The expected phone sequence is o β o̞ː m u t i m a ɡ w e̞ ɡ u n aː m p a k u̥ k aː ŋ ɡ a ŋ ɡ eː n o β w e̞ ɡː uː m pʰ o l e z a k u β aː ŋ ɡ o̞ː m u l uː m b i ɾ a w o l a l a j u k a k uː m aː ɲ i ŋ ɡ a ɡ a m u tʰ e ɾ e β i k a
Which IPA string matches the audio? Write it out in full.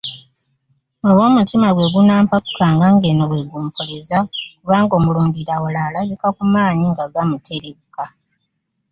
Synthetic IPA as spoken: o β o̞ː m u t i m a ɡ w e̞ ɡ u n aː m p a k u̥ k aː ŋ ɡ a ŋ ɡ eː n o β w e̞ ɡ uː m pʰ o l e z a k u β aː ŋ ɡ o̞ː m u l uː m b i ɾ a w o l a l a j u k a k u m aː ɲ i ŋ ɡ a ɡ a m u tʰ e ɾ e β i k a